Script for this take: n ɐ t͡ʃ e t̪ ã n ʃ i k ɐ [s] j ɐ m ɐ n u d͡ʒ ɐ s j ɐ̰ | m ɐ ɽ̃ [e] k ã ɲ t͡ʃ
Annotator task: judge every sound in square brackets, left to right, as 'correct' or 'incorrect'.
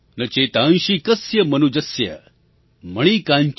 correct, incorrect: i

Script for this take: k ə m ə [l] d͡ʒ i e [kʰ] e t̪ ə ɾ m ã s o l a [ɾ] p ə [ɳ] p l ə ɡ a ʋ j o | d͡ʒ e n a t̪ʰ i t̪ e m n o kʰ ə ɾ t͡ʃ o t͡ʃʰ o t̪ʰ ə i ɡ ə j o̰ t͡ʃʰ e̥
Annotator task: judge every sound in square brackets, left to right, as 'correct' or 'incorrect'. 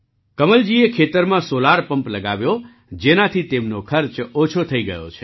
correct, correct, correct, incorrect: m

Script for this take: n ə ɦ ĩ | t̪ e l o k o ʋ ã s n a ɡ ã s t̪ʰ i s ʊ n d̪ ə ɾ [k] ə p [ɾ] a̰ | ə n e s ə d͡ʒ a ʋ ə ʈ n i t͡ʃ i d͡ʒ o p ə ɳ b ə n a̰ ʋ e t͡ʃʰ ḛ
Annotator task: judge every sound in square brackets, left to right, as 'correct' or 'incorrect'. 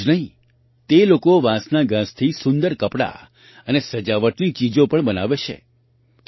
correct, incorrect: ɽ

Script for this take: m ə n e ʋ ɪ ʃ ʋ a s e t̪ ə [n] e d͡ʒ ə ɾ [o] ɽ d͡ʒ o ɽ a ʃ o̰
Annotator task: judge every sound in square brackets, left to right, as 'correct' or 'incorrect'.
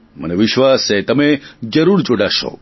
incorrect: m, incorrect: u

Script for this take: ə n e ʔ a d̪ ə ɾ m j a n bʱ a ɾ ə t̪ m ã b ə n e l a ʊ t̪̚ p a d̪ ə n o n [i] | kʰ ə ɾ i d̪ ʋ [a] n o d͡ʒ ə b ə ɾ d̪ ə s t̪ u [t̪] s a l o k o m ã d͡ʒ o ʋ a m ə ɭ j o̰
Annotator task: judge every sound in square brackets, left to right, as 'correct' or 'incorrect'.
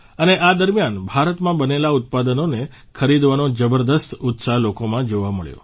incorrect: e, correct, correct

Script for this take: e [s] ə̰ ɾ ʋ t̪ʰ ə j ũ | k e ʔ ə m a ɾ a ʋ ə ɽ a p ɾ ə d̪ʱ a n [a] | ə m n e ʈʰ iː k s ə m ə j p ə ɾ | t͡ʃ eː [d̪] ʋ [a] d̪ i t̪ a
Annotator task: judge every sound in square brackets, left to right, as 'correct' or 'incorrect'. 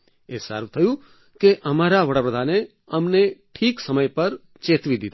correct, incorrect: e, incorrect: t̪, incorrect: i

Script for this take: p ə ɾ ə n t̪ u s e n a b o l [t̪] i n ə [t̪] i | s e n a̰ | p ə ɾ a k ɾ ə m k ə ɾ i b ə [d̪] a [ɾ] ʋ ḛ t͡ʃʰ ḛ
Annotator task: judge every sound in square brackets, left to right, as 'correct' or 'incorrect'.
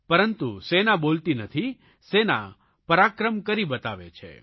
correct, incorrect: t̪ʰ, incorrect: t̪, incorrect: none

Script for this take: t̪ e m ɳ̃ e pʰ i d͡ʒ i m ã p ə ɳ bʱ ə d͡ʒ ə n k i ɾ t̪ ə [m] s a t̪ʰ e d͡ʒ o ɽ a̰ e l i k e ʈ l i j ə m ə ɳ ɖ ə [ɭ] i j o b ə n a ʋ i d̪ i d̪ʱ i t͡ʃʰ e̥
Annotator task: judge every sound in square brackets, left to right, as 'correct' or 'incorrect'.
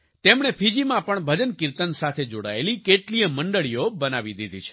incorrect: n, correct

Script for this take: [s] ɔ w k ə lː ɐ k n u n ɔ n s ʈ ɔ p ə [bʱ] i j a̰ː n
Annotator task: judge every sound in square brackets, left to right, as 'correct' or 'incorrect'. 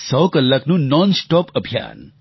correct, correct

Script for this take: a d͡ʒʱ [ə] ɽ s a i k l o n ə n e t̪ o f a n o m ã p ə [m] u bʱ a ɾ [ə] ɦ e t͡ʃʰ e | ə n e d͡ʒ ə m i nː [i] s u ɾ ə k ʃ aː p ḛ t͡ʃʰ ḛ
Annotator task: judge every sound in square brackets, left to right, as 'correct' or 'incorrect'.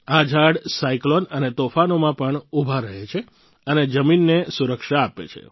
incorrect: a, incorrect: ɳ, correct, incorrect: e

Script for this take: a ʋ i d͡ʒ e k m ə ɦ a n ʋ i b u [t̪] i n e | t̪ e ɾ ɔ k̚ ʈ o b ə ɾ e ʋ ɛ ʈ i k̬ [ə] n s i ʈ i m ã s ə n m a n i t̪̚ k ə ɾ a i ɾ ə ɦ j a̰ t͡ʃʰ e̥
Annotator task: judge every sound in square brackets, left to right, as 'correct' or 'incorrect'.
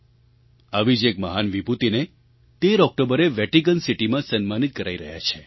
correct, correct

